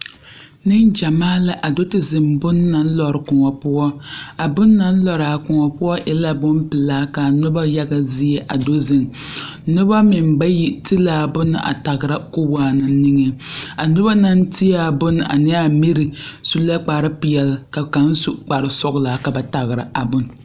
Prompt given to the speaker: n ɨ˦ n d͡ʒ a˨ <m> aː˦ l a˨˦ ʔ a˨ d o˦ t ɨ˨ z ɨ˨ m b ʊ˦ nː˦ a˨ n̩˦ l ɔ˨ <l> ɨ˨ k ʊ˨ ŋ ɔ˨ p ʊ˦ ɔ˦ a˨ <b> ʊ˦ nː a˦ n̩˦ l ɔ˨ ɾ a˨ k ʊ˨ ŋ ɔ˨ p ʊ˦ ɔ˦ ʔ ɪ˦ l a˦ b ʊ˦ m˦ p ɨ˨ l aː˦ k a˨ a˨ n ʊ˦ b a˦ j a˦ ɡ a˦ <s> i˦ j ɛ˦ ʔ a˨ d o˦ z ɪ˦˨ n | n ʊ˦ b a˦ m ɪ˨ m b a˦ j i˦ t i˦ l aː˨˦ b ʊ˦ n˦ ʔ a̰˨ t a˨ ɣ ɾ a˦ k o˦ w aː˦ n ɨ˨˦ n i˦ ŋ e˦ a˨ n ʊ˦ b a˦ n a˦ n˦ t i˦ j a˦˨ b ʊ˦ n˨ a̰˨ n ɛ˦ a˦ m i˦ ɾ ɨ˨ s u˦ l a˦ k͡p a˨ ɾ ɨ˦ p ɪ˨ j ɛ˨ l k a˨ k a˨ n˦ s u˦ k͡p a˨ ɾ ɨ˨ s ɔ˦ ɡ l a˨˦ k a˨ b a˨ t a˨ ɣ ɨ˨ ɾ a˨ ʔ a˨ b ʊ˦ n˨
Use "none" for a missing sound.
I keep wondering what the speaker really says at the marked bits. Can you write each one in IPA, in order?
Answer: m, ɾ, b, z

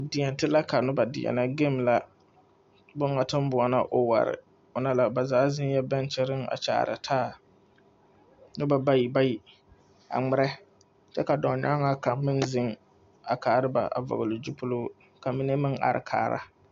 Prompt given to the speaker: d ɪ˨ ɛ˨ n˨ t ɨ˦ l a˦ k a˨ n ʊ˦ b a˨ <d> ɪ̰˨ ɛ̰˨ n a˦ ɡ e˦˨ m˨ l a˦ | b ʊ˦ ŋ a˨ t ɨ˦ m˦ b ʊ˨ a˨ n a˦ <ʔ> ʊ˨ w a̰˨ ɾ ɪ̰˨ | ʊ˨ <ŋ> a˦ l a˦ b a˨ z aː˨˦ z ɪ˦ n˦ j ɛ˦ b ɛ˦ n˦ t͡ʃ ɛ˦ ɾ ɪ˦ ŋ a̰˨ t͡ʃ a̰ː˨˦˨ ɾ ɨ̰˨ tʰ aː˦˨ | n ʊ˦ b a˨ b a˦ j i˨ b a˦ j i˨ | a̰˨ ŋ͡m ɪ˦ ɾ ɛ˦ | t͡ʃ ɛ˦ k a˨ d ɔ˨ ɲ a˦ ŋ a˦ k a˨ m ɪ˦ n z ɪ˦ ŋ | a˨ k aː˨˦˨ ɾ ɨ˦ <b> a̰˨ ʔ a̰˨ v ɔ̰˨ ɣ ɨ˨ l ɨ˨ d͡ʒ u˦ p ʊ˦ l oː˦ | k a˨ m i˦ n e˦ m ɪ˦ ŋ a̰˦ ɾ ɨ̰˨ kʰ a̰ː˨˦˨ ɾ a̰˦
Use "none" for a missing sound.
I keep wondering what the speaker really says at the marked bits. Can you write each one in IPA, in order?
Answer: d, ʔ, n, b

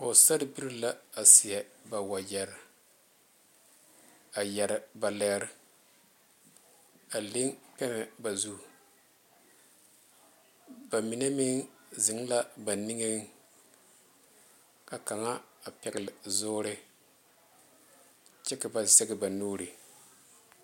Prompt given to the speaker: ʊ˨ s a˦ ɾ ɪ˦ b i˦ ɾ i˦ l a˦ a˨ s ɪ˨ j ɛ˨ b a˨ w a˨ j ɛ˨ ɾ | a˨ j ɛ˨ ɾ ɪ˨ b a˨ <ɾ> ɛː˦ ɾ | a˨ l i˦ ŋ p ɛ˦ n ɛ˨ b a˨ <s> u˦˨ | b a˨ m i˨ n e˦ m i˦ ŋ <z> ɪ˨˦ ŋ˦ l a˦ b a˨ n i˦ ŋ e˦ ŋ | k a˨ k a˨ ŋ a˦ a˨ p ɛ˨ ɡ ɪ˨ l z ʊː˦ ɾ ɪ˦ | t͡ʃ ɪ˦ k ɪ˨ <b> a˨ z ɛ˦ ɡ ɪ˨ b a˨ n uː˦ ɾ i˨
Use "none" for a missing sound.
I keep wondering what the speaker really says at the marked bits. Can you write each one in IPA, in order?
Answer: l, z, z, b

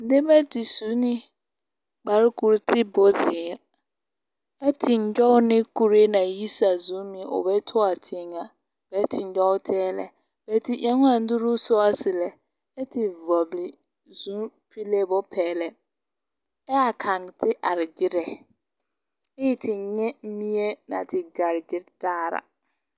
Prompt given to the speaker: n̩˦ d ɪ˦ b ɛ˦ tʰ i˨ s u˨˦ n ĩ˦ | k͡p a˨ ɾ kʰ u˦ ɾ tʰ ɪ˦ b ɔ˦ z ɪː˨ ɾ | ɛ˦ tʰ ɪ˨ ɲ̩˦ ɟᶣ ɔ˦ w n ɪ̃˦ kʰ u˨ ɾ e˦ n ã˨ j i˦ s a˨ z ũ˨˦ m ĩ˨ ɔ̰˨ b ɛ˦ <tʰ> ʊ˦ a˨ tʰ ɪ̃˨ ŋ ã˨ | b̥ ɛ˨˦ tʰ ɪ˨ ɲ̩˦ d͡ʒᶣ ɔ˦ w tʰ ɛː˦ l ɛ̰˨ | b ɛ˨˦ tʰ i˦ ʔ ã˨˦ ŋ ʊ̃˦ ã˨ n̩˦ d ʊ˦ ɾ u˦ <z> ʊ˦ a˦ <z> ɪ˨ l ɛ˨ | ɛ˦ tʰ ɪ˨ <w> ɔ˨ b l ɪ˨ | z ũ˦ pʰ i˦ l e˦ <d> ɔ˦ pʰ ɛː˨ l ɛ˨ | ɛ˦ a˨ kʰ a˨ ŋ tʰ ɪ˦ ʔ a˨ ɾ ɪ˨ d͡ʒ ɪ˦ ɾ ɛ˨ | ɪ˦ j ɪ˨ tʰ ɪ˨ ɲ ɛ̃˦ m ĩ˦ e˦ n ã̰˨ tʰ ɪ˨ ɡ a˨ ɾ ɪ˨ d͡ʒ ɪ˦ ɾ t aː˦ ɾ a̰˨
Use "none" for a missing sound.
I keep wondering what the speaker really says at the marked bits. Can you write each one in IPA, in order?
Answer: tʰ, s, s, v, b

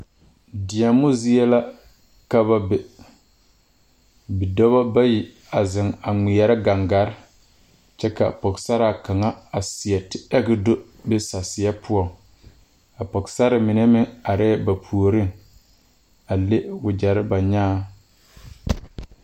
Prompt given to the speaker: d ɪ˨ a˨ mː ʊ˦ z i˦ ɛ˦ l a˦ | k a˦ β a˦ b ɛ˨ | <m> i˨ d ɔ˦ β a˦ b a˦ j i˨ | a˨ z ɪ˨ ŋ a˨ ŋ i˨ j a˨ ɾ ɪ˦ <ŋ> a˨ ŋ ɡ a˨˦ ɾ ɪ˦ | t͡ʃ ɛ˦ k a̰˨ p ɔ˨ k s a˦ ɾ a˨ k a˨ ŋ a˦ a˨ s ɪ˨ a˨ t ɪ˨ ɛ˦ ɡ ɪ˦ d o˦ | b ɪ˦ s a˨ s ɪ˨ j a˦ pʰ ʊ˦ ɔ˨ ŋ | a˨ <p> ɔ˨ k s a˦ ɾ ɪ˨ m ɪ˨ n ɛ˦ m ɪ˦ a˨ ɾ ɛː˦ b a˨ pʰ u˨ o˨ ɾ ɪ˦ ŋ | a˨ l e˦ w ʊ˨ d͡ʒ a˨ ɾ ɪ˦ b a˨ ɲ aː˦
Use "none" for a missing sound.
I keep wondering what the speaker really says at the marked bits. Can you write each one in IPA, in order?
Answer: b, ɡ, p

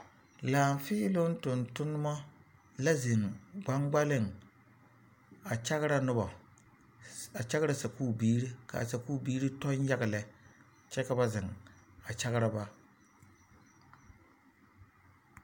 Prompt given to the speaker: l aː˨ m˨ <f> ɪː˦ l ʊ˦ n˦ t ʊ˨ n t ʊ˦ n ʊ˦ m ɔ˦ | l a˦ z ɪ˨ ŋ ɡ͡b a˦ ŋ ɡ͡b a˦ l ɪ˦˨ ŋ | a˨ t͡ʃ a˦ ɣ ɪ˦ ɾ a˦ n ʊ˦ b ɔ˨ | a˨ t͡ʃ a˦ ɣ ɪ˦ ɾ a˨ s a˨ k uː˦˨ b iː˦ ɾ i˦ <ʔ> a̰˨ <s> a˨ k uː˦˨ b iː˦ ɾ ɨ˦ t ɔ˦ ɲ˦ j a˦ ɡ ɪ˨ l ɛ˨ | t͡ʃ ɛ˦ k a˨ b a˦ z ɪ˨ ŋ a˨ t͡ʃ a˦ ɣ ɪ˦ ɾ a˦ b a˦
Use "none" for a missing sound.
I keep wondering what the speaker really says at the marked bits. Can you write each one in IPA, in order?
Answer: f, k, s

